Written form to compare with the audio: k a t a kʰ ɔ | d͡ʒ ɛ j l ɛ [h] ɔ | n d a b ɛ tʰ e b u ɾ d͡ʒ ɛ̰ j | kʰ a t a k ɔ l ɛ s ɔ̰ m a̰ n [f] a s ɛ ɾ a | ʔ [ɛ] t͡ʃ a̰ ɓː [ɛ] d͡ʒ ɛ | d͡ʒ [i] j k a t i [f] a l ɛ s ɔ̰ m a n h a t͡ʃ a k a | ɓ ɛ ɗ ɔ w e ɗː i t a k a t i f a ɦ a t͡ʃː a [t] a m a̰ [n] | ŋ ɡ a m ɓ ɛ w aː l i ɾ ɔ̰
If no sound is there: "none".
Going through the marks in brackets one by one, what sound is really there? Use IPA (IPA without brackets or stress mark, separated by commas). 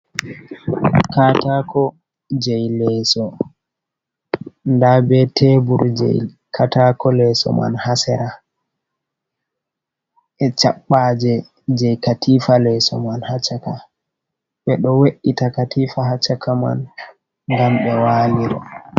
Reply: s, h, ɛ, a, ɛ, f, k, n